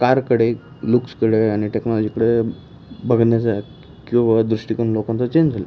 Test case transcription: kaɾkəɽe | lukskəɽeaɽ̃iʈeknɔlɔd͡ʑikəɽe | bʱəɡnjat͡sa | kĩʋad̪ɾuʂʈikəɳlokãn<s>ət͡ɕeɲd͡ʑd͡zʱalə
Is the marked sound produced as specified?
no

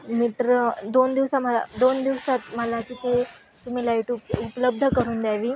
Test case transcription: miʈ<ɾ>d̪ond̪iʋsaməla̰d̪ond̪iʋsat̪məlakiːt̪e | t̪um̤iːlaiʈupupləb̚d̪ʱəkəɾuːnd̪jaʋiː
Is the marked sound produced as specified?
yes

